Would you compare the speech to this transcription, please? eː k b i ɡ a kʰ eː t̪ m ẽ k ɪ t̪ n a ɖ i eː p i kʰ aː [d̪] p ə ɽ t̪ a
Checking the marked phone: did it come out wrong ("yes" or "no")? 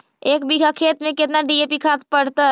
yes